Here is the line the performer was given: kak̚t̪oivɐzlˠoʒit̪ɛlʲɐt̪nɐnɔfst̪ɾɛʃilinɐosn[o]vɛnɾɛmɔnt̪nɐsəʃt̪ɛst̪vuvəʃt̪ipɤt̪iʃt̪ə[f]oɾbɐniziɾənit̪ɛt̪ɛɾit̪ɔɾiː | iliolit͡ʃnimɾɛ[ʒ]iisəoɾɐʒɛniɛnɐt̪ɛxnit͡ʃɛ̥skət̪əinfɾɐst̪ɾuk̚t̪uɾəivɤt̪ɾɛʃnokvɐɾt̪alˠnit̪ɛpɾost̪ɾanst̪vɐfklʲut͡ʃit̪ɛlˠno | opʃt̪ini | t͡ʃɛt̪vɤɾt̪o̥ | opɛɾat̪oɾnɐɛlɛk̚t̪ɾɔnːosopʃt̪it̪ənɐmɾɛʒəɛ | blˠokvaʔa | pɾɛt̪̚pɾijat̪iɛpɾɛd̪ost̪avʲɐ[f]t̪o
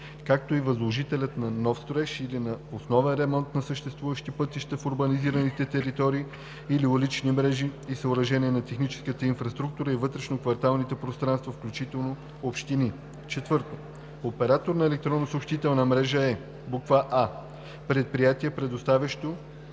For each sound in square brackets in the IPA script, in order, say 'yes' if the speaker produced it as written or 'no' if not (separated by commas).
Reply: no, yes, yes, no